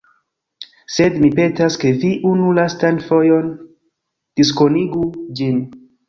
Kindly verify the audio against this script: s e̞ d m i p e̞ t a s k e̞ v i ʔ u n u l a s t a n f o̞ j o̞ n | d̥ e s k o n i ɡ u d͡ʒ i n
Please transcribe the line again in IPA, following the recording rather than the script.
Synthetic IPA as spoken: s e̞ d m i p e̞ t a s k e̞ v i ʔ u n u l a s t a n f o̞ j o̞ n | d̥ i s k o n i ɡ u d͡ʒ i n